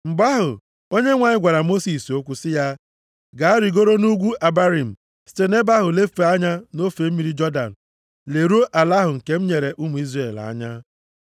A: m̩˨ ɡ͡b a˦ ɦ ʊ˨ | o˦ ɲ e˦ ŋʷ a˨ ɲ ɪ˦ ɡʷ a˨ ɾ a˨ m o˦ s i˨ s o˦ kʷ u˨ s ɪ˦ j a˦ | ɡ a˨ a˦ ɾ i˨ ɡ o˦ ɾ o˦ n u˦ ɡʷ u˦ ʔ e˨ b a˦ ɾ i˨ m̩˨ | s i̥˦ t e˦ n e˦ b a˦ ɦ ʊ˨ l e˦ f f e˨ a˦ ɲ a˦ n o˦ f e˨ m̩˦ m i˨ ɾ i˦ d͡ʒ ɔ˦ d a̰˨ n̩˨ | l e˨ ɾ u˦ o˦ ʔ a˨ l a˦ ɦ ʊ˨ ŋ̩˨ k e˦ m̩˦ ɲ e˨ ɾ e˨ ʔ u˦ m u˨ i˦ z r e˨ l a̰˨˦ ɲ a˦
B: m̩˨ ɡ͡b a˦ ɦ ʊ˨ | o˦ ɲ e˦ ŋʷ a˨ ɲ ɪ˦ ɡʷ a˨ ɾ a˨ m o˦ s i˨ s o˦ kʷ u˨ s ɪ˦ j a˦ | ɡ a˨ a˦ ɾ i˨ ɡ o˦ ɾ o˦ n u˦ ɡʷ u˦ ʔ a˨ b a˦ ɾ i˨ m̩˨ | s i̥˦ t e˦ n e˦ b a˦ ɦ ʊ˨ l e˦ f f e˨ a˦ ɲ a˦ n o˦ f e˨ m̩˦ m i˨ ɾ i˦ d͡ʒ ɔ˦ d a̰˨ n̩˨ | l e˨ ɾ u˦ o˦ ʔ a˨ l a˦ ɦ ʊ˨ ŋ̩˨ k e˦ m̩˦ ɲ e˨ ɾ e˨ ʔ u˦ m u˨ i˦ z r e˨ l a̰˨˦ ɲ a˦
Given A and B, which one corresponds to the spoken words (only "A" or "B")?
B